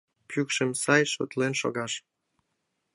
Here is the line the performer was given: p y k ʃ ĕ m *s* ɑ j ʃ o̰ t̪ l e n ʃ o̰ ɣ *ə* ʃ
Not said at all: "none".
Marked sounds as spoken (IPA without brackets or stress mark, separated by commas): s, ɑ